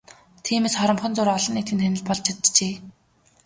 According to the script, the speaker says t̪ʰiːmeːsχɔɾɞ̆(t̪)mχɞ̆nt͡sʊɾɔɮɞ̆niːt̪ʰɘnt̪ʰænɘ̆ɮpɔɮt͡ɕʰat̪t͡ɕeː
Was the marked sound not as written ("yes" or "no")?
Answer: yes